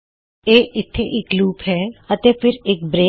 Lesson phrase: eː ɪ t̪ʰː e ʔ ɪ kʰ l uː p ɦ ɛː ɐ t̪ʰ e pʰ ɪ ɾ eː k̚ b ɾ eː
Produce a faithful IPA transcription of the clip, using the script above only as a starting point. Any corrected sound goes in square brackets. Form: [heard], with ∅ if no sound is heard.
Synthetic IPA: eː ɪ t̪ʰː e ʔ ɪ [k] l uː p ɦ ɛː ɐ [t̪] e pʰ ɪ ɾ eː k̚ b ɾ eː